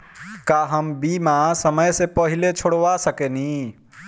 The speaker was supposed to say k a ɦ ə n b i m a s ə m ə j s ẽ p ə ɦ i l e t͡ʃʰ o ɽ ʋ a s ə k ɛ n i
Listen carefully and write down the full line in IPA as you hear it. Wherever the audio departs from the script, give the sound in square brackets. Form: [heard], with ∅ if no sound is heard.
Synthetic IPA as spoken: k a ɦ ə [m] b i m a s ə m ə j s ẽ p ə ɦ i l e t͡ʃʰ o ɽ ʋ a s ə k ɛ n i

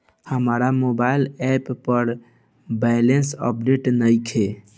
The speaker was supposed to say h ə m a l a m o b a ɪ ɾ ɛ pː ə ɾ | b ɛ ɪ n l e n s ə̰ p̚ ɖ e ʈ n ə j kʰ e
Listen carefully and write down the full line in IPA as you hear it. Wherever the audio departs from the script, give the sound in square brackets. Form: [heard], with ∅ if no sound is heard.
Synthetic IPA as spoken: h ə m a [ɾ] a m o b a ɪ [l] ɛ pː ə ɾ | b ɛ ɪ [∅] l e n s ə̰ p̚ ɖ e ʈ n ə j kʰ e

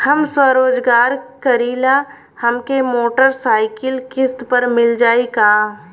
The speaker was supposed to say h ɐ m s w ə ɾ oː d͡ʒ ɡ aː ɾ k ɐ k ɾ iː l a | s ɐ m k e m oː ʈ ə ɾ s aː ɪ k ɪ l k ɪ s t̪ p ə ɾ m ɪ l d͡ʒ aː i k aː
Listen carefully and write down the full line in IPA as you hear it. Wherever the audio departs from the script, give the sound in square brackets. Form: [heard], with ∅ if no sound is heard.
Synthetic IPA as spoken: h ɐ m s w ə ɾ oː d͡ʒ ɡ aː ɾ k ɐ [∅] ɾ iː l a | [h] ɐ m k e m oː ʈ ə ɾ s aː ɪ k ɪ l k ɪ s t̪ p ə ɾ m ɪ l d͡ʒ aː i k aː

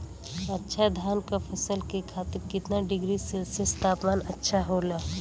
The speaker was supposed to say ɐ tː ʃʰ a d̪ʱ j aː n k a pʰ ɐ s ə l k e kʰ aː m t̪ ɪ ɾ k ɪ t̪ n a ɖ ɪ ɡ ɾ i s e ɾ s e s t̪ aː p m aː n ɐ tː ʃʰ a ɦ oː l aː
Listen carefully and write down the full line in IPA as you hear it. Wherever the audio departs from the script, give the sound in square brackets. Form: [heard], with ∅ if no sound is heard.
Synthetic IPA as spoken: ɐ tː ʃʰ a d̪ʱ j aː n k a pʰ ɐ s ə l k e kʰ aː [∅] t̪ ɪ ɾ k ɪ t̪ n a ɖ ɪ ɡ ɾ i s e [l] s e s t̪ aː p m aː n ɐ tː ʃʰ a ɦ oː l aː

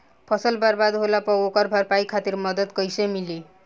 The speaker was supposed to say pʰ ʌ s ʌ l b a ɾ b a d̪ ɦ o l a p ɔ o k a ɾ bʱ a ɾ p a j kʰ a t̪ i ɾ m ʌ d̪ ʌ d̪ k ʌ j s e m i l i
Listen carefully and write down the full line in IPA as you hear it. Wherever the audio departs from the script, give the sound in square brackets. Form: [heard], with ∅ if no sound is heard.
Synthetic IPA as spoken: pʰ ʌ s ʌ l b a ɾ b a d̪ ɦ o l a p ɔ o k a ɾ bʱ a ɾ p a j kʰ a t̪ i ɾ m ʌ d̪ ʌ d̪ k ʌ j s e m i l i

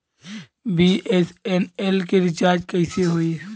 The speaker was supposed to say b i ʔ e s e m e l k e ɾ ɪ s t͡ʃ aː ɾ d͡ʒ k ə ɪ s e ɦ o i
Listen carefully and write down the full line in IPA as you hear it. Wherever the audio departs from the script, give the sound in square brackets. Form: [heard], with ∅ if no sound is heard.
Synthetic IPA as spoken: b i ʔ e s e [n] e l k e ɾ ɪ [∅] t͡ʃ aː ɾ d͡ʒ k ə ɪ s e ɦ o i

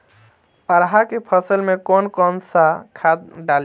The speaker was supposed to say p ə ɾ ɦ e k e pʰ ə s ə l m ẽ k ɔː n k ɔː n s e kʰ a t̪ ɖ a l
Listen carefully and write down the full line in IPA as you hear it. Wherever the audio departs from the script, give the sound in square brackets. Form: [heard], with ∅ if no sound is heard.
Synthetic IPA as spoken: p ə ɾ ɦ [a] k e pʰ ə s ə l m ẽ k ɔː n k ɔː n s [a] kʰ a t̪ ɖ a l

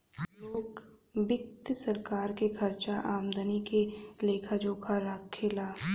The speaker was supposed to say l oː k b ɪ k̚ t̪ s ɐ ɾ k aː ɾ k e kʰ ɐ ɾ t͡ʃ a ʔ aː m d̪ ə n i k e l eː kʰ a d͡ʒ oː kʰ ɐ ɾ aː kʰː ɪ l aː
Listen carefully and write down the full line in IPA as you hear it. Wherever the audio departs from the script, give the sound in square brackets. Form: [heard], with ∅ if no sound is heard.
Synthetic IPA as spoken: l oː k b ɪ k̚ t̪ s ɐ ɾ k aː ɾ k e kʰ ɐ ɾ t͡ʃ a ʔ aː m d̪ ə n i k e l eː kʰ a d͡ʒ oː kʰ [a] ɾ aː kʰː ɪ l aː

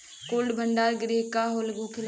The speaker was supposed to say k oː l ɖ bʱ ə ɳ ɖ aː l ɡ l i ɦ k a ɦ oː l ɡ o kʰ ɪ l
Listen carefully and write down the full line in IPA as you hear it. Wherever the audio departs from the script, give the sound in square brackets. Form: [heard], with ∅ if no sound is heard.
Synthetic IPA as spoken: k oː l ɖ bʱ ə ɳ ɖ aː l ɡ [ɾ] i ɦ k a ɦ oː l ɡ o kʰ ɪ l

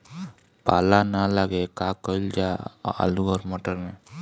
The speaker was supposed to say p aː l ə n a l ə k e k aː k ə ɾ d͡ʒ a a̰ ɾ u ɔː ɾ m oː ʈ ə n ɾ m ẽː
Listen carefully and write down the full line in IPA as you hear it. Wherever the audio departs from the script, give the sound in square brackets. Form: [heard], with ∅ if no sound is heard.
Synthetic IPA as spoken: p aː l [a] n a l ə [ɡ] e k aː k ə [l] d͡ʒ a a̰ [l] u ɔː ɾ m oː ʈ ə [∅] ɾ m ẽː

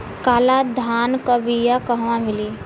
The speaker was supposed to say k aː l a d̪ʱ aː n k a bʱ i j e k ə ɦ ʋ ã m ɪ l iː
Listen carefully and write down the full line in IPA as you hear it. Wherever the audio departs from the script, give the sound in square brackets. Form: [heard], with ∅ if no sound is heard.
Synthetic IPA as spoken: k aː l a d̪ʱ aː n k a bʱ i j [a] k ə ɦ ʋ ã m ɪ l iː

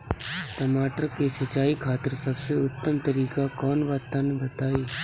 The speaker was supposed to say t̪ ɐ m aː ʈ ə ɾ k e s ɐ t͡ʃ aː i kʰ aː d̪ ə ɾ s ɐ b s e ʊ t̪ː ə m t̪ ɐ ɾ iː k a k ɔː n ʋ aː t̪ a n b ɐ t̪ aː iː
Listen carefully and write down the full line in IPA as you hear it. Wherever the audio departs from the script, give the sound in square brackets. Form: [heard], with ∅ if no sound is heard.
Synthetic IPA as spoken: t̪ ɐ m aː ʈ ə ɾ k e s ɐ t͡ʃ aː i kʰ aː [t̪] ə ɾ s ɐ b s e ʊ t̪ː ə m t̪ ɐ ɾ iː k a k ɔː n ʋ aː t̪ a n b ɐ t̪ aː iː

